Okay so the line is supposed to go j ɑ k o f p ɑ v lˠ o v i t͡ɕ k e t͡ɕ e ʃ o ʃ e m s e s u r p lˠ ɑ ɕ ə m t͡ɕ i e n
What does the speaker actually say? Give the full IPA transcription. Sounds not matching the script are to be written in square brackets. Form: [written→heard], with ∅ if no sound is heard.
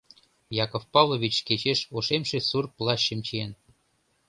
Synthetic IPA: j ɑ k o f p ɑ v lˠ o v i t͡ɕ k e t͡ɕ e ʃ o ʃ e m [s→ʃ] e s u r p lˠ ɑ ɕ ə m t͡ɕ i e n